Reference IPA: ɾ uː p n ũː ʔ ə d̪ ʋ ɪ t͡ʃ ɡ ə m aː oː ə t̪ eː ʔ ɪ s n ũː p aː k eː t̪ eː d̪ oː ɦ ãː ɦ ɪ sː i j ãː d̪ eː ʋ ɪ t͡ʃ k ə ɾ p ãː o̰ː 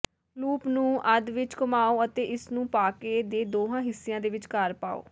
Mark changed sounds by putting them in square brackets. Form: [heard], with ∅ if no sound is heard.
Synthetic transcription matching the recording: [l] uː p n ũː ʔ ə d̪ ʋ ɪ t͡ʃ [k] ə m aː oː ə t̪ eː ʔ ɪ s n ũː p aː k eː [d̪] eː d̪ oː ɦ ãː ɦ ɪ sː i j ãː d̪ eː ʋ ɪ t͡ʃ k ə ɾ p [aː] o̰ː